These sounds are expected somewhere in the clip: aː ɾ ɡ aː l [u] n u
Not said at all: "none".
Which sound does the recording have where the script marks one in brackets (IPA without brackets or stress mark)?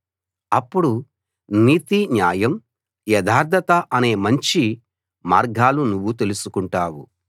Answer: u